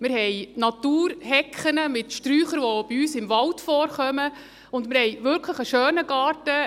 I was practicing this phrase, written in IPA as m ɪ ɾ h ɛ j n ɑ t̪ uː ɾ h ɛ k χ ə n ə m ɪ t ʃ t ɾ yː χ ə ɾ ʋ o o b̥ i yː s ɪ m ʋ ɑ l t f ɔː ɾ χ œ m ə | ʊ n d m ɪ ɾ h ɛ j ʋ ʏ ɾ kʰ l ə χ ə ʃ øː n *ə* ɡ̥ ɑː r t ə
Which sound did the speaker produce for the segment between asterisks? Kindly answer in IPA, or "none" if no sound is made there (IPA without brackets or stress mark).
ə